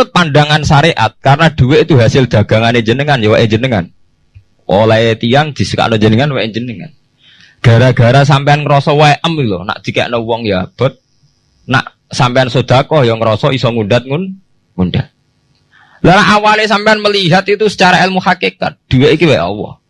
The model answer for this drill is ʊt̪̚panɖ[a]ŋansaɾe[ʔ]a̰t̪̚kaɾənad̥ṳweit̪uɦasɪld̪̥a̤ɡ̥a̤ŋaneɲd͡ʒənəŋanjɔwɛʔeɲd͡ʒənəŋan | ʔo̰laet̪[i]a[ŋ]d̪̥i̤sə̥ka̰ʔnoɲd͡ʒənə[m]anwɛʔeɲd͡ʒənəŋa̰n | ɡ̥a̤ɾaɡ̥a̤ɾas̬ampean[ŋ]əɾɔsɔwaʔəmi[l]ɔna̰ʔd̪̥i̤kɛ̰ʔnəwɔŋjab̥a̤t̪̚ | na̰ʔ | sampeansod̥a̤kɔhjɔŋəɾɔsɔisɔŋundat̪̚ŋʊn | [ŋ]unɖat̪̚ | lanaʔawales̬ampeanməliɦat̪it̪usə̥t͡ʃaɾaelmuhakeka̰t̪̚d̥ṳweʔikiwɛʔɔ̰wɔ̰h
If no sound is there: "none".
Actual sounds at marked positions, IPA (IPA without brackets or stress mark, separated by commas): a, ʔ, i, ŋ, ŋ, ŋ, l, ŋ